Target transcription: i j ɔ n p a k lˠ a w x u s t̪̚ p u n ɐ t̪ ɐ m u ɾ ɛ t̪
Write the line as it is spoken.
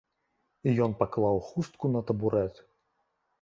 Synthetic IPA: i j ɔ n p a k lˠ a w x u s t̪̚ k u n ɐ t̪ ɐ b u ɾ ɛ t̪

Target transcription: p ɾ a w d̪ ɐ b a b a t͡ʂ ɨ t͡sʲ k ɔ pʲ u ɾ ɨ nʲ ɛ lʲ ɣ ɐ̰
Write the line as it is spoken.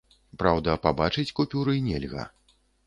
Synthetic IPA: p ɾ a w d̪ ɐ p a b a t͡ʂ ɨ t͡sʲ k u pʲ u ɾ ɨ nʲ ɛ lʲ ɣ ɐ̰

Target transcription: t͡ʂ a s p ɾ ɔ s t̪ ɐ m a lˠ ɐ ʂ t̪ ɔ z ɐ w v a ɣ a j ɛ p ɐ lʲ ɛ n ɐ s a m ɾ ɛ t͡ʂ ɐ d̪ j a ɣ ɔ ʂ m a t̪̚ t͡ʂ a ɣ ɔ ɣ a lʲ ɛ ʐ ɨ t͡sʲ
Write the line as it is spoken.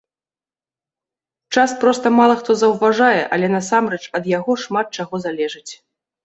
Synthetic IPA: t͡ʂ a s p ɾ ɔ s t̪ ɐ m a lˠ ɐ x t̪ ɔ z ɐ w v a ʐ a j ɛ ʔ ɐ lʲ ɛ n ɐ s a m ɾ ɛ t͡ʂ ɐ d̪ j a ɣ ɔ ʂ m a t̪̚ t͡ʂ a ɣ ɔ z a lʲ ɛ ʐ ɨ t͡sʲ

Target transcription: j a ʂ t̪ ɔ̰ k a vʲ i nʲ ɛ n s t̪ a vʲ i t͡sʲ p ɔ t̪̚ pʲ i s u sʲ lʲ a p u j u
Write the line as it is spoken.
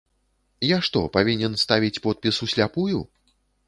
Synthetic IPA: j a ʂ t̪ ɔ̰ p a vʲ i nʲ ɛ n s t̪ a vʲ i t͡sʲ p ɔ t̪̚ pʲ i s u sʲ lʲ a p u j u

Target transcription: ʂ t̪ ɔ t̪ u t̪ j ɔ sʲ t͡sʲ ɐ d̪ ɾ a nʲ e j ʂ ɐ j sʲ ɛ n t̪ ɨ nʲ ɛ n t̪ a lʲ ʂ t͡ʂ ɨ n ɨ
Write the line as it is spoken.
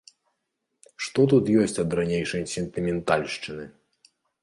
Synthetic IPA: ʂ t̪ ɔ t̪ u t̪ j ɔ sʲ t͡sʲ ɐ d̪ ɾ a nʲ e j ʂ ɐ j sʲ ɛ n t̪ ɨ mʲ ɛ n t̪ a lʲ ʂ t͡ʂ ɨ n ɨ

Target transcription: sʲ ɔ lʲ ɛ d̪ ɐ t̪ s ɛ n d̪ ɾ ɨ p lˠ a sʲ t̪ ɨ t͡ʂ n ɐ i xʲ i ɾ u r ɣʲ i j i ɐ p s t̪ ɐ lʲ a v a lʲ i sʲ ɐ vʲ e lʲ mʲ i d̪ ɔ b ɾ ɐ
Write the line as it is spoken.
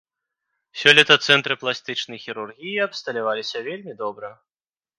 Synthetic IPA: sʲ ɔ lʲ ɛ t̪ ɐ t̪ s ɛ n t̪ ɾ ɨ p lˠ a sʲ t̪ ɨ t͡ʂ n ɐ j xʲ i ɾ u r ɣʲ i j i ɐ p s t̪ ɐ lʲ a v a lʲ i sʲ ɐ vʲ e lʲ mʲ i d̪ ɔ b ɾ ɐ

